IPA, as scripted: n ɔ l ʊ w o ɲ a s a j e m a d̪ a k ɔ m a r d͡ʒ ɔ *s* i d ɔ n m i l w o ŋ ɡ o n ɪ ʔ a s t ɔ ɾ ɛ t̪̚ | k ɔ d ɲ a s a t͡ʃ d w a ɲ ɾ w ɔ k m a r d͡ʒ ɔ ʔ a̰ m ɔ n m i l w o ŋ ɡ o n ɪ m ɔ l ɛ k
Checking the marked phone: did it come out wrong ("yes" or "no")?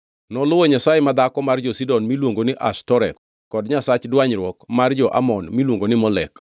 no